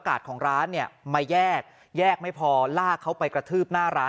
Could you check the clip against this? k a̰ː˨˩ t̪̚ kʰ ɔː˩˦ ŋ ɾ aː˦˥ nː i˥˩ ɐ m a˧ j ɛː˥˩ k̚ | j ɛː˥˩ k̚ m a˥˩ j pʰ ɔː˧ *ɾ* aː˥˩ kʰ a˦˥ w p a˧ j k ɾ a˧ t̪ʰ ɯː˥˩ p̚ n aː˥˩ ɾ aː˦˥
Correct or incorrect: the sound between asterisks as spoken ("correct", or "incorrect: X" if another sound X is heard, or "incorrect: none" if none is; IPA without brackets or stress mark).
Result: incorrect: l